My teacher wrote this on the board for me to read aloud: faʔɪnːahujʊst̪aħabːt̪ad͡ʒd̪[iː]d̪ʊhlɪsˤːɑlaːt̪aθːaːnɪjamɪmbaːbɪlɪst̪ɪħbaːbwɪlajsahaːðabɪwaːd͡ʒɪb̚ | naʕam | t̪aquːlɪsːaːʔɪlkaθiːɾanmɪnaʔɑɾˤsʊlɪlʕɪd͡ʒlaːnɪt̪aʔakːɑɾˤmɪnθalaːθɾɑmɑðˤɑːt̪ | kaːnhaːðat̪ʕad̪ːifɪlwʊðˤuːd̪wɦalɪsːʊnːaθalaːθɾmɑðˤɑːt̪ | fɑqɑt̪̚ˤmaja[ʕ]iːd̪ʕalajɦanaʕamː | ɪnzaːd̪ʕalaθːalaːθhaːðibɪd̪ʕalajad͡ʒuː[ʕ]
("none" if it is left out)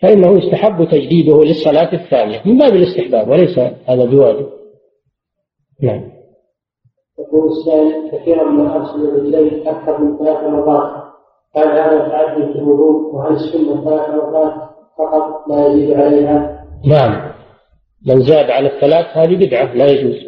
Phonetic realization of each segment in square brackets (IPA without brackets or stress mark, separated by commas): iː, z, z